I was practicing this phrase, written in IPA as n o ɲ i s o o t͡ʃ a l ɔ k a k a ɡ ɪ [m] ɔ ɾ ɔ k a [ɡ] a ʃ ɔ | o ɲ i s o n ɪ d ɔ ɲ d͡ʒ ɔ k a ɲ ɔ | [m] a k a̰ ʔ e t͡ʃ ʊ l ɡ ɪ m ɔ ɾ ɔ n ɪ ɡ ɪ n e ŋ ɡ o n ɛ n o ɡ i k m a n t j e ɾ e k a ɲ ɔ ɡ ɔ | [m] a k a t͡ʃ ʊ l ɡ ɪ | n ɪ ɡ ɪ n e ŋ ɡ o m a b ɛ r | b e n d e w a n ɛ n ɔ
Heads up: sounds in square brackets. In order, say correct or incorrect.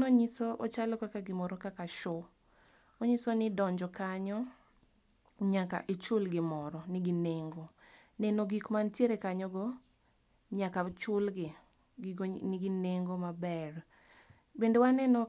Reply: correct, incorrect, incorrect, incorrect

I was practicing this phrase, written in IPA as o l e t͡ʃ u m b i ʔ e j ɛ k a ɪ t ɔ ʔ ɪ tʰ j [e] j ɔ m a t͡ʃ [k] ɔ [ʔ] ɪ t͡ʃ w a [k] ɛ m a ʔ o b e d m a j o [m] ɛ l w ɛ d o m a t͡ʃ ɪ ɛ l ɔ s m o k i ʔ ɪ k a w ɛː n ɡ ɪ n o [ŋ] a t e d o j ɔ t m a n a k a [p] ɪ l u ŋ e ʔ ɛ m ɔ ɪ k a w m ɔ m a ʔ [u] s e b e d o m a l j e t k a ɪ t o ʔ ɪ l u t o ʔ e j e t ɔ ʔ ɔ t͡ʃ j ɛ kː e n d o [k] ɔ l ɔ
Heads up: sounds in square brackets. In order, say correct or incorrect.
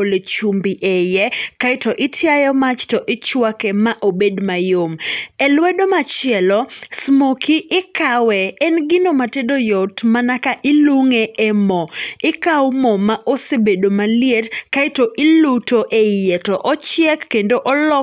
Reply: incorrect, incorrect, correct, correct, correct, incorrect, incorrect, incorrect, incorrect

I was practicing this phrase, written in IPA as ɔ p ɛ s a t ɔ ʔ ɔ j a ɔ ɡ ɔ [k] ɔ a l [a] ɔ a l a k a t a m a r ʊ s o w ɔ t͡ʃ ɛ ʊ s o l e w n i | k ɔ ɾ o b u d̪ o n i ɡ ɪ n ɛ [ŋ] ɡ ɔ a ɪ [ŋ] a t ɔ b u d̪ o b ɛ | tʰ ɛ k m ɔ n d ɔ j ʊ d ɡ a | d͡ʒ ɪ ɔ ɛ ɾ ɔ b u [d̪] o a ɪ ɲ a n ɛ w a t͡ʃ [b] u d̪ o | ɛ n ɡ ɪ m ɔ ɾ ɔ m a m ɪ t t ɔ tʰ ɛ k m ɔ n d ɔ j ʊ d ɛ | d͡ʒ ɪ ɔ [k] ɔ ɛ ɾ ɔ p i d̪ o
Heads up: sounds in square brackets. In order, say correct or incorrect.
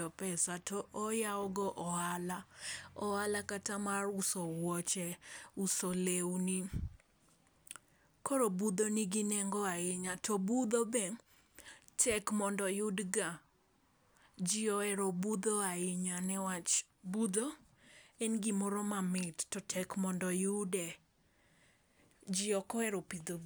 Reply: incorrect, correct, correct, incorrect, correct, correct, correct

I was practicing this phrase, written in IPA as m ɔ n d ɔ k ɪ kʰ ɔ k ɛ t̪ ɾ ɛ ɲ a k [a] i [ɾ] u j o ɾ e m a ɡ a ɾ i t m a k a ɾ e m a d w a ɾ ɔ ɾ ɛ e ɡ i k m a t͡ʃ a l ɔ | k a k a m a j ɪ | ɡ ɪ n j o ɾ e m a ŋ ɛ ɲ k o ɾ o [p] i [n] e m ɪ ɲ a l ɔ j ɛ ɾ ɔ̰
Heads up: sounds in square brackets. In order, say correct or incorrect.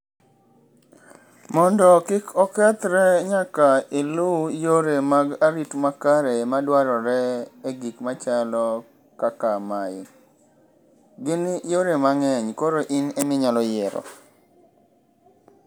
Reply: correct, incorrect, incorrect, correct

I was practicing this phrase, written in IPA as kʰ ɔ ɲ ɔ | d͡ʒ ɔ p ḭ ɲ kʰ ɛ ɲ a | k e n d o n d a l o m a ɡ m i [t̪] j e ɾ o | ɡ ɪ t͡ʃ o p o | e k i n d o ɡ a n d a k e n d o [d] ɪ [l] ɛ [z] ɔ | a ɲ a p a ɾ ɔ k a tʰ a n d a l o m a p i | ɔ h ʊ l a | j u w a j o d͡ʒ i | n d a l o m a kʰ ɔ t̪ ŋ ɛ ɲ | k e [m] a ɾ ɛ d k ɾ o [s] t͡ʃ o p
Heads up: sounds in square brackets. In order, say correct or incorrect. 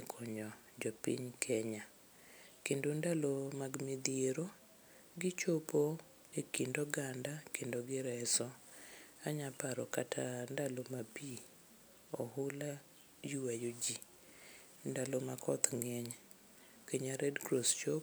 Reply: incorrect, incorrect, incorrect, incorrect, incorrect, correct

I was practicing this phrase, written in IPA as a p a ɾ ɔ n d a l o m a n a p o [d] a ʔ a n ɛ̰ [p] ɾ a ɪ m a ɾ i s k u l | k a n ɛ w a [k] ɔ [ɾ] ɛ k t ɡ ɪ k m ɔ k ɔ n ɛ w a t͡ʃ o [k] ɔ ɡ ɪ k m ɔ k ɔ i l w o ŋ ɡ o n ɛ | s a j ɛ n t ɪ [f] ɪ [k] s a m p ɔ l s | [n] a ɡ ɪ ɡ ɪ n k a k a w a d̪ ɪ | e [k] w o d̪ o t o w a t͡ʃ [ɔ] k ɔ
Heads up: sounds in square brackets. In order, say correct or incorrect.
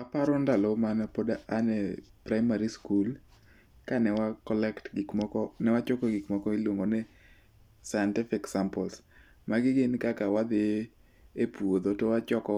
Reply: correct, correct, correct, incorrect, correct, correct, correct, incorrect, incorrect, correct

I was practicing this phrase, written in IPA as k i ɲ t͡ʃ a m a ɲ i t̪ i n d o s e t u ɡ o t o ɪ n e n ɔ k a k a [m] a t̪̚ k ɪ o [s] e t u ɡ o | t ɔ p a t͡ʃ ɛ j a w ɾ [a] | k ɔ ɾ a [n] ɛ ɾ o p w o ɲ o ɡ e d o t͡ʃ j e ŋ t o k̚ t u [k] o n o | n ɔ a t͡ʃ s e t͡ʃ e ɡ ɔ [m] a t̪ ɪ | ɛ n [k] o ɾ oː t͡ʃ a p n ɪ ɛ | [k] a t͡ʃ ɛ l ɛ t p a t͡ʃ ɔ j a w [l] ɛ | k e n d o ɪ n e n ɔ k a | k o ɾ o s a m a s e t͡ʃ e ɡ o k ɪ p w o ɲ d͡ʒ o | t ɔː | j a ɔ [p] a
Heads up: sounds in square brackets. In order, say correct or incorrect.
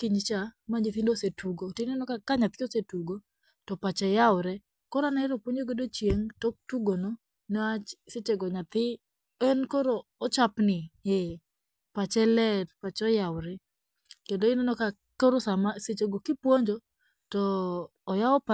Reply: incorrect, correct, incorrect, correct, incorrect, incorrect, correct, incorrect, incorrect, correct

